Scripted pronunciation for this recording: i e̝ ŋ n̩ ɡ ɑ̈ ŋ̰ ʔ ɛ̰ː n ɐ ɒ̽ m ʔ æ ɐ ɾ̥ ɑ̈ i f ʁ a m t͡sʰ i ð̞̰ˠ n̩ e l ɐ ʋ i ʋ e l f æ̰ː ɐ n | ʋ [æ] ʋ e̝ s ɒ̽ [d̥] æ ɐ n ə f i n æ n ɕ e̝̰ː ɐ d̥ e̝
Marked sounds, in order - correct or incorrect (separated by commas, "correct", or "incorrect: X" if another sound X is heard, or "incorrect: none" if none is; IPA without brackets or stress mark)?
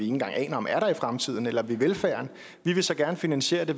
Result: incorrect: i, incorrect: ɡ̥